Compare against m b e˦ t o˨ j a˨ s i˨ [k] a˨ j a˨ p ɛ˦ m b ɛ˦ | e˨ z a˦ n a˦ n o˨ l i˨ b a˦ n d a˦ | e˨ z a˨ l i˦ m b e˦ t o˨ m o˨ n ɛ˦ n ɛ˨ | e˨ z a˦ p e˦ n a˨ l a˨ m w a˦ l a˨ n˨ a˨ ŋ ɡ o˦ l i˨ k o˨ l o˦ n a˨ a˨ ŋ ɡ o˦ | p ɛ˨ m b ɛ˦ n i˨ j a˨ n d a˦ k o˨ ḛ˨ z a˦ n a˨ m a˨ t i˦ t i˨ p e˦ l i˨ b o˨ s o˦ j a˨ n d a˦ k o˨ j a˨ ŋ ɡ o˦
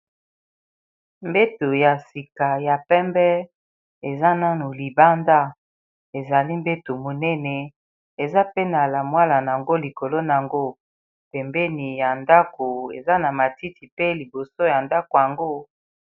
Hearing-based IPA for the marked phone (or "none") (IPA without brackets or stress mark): k